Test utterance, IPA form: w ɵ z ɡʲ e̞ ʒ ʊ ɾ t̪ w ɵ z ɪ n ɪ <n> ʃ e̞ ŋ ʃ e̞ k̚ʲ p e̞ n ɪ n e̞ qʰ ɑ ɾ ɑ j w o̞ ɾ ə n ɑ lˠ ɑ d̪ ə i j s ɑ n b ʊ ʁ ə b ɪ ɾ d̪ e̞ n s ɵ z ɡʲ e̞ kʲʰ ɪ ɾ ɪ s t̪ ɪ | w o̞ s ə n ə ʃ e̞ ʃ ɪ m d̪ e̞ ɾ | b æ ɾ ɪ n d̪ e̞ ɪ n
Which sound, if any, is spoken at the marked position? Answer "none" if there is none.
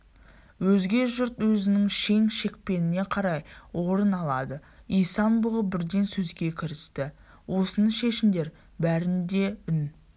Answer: ŋ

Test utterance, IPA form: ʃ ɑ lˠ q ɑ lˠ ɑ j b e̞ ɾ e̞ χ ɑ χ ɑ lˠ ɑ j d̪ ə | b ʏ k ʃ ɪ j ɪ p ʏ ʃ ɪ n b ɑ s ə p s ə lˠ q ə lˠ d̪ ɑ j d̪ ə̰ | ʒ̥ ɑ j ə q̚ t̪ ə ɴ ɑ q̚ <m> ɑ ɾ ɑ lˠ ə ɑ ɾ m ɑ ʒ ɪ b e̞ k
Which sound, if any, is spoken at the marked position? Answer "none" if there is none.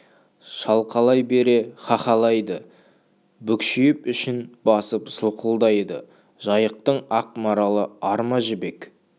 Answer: m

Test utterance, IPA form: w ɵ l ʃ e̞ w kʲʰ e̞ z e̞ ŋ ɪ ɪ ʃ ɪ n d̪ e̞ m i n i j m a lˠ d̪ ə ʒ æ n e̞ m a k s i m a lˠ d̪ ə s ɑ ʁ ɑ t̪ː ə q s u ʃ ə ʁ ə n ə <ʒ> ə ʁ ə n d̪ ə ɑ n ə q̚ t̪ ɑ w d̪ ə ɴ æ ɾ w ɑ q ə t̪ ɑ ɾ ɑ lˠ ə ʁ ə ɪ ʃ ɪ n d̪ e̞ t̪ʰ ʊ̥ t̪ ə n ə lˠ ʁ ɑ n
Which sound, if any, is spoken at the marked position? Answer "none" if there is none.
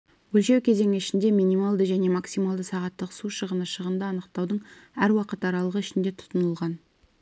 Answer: ʃ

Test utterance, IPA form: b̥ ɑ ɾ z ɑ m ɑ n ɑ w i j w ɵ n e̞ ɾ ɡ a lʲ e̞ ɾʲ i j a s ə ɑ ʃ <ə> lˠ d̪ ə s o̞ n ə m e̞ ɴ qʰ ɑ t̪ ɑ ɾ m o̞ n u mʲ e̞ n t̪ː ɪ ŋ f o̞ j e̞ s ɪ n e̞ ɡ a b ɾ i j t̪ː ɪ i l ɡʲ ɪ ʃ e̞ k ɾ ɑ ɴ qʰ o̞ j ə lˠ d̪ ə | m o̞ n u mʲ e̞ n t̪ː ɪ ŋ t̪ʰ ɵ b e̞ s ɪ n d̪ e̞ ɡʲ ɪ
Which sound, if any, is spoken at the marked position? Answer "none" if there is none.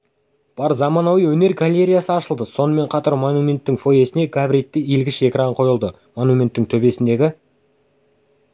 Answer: ə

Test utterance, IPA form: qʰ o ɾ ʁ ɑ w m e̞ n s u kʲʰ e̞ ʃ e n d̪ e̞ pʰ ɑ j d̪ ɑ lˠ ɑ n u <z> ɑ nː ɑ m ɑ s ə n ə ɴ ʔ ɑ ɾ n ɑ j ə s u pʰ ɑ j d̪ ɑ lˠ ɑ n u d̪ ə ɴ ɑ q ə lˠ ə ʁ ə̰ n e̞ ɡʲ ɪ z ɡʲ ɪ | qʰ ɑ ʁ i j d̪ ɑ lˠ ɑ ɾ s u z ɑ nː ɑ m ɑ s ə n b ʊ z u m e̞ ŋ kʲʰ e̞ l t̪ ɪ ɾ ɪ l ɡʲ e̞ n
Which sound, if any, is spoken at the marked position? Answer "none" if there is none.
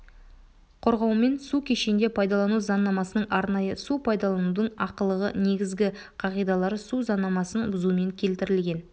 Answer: z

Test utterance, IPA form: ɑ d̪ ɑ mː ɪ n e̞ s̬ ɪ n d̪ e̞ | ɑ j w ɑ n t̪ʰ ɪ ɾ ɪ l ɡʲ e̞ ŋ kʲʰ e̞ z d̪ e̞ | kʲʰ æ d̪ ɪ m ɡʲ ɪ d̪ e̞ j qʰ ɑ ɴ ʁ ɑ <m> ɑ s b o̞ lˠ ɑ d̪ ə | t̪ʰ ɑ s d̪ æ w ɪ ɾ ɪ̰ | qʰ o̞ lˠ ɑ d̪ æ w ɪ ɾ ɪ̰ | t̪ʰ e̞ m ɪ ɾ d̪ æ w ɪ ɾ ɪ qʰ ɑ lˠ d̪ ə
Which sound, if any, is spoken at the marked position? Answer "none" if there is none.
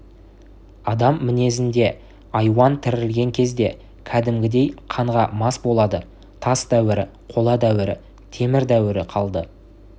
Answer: m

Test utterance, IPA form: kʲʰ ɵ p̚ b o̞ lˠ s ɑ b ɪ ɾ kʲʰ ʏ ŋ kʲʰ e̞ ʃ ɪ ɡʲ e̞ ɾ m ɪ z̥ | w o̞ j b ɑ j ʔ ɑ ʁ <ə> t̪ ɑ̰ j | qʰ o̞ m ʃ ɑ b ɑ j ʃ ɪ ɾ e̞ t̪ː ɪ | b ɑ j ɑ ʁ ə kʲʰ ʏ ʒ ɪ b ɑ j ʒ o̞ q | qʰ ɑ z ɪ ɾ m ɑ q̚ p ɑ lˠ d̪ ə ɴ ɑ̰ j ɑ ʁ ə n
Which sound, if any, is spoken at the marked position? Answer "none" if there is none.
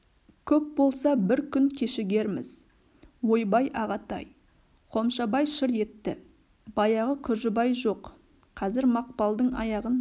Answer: ɑ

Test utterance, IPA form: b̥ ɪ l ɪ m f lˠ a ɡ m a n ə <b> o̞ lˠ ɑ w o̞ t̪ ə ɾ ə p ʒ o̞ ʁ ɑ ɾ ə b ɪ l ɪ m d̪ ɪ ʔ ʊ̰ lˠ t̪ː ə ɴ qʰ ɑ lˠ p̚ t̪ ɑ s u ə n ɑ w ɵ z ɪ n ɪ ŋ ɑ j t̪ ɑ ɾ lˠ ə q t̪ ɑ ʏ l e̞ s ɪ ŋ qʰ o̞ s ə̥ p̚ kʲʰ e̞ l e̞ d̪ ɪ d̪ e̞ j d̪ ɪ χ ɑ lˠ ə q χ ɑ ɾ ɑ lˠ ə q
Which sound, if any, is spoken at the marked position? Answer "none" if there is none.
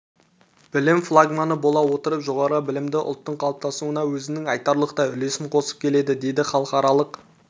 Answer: b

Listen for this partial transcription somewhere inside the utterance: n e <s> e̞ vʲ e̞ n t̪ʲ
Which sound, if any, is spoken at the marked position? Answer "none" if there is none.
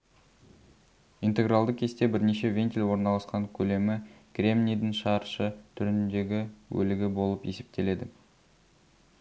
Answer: ʃ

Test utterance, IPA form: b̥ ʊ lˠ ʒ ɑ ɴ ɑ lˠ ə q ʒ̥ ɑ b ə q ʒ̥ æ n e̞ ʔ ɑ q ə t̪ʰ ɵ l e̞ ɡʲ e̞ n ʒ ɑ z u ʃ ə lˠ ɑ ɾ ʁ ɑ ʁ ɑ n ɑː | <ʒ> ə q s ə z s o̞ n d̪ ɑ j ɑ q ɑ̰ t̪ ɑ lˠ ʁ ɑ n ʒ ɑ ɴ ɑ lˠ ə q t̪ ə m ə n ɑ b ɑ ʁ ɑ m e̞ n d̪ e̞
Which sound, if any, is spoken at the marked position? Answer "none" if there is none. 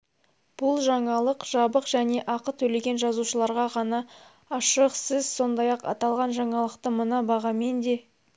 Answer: ʃ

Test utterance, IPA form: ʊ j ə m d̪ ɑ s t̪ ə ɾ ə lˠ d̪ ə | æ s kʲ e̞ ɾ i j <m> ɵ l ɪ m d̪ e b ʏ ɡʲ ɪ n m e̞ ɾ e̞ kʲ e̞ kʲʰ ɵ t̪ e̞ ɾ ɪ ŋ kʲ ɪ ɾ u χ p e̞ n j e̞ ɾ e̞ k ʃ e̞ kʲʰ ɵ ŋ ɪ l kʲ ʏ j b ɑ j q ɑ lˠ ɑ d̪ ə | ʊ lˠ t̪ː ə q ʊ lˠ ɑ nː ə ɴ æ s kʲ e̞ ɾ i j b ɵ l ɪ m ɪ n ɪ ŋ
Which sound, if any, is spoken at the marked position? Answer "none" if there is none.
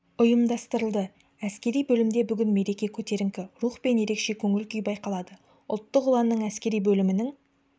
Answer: b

